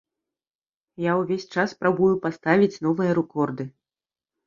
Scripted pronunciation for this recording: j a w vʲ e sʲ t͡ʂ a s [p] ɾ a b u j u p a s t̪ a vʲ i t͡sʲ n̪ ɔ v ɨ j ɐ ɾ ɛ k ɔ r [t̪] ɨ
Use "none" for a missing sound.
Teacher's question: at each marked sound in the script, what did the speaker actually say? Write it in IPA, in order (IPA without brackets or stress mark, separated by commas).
p, d̪